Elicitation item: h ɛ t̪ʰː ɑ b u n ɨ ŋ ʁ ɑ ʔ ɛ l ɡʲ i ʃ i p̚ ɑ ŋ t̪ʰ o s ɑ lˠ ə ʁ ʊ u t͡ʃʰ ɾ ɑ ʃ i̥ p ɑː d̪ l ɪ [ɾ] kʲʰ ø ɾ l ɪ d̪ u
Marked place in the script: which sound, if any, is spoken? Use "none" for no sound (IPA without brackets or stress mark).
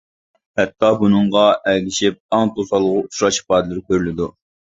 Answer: ɾ